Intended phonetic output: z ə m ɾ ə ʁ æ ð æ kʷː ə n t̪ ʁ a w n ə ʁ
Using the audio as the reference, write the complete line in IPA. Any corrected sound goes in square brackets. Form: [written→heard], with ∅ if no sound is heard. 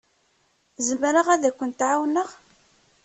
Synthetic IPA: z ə m ɾ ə ʁ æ ð æ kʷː ə n t̪ [ʁ→ʕ] a w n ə ʁ